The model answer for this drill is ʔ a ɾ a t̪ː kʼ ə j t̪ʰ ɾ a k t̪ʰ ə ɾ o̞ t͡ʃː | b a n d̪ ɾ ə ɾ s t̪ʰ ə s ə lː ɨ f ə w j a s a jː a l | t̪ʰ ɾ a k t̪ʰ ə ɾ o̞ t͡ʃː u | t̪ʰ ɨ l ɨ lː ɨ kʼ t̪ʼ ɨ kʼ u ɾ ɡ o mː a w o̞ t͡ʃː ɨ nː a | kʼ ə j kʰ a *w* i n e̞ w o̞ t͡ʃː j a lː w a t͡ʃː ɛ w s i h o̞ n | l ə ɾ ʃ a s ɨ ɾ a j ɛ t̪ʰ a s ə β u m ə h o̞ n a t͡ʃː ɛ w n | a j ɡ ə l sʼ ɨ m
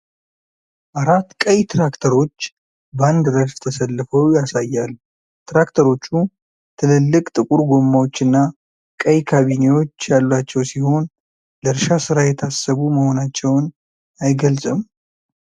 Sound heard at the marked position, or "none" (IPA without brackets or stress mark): β